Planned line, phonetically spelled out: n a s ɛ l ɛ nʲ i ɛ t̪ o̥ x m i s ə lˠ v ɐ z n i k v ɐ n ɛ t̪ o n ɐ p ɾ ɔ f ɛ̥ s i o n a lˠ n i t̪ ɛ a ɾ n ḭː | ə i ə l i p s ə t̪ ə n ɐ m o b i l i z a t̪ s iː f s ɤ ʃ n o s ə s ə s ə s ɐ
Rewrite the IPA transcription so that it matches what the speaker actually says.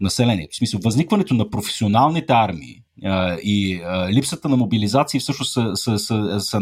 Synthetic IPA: n ɐ s ɛ l ɛ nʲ i ɛ t̪ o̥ s m i s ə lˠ v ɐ z n i k v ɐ n ɛ t̪ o n ɐ p ɾ o f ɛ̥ s i o n a lˠ n i t̪ ɛ a ɾ m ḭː | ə i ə l i p s ə t̪ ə n ɐ m o b i l i z a t̪ s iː f s ɤ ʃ n o s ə s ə s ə s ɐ